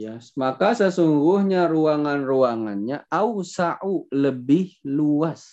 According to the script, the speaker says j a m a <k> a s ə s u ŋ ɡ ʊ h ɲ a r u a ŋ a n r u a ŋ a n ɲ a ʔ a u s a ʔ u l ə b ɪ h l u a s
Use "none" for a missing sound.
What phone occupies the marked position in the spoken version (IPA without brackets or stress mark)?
k